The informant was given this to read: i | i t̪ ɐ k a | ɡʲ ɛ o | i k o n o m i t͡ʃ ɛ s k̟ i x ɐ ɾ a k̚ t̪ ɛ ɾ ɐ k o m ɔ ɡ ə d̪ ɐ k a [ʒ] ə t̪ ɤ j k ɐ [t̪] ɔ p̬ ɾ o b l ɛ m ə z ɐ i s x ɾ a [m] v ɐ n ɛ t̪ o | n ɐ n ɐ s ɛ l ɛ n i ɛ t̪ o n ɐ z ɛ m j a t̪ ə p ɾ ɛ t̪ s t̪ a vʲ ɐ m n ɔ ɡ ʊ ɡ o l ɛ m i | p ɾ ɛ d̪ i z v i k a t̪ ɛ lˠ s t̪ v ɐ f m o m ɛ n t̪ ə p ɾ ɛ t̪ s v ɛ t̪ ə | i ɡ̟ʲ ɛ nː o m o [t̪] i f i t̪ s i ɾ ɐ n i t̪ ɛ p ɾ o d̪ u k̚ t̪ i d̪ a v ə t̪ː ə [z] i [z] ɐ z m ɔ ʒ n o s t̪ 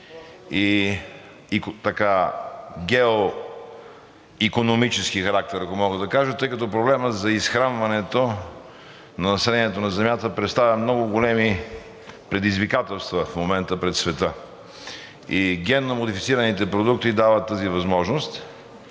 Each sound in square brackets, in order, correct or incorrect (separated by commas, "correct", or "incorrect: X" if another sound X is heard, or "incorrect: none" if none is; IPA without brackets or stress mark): correct, correct, incorrect: n, incorrect: d̪, correct, incorrect: v